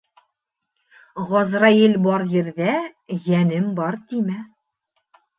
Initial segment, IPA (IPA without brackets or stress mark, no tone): ʁ